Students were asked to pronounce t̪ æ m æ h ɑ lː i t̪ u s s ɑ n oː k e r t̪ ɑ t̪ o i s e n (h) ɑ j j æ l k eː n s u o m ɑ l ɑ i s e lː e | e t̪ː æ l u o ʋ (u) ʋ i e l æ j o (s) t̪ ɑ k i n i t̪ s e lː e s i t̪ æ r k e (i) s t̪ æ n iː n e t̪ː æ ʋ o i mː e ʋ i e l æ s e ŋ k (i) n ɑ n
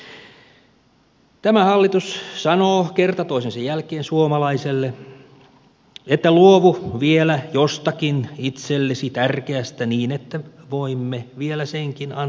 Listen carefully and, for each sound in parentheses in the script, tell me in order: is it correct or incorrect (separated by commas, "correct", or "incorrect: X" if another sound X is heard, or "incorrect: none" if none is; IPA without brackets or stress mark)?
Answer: incorrect: s, correct, correct, incorrect: æ, correct